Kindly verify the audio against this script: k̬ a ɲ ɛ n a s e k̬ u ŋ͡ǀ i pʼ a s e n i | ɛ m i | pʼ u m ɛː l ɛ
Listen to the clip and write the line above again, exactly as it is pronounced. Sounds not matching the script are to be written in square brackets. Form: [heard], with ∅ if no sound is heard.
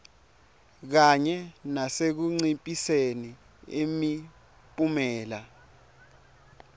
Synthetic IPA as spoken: k̬ a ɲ ɛ n a s e k̬ u ŋ͡ǀ i pʼ [i] s e n i | [e] m i | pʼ u m ɛː l [a]